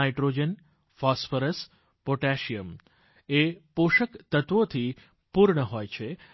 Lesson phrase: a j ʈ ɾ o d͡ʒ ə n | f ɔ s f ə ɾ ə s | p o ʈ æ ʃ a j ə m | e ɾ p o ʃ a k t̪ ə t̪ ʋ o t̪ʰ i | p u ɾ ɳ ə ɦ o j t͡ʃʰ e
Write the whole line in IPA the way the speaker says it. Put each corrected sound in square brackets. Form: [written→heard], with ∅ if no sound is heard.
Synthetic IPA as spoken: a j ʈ ɾ o d͡ʒ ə n | f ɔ s f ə ɾ ə s | p o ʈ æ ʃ [a→i] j ə m | e [ɾ→∅] p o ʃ [a→ə] k t̪ ə t̪ ʋ o t̪ʰ i | p u ɾ ɳ ə ɦ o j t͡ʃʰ e